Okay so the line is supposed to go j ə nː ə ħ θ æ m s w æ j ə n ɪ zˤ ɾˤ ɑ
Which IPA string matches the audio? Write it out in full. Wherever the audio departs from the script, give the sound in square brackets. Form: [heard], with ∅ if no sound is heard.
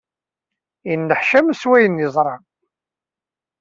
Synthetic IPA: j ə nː ə ħ [ʃ] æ m s w æ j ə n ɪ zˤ ɾˤ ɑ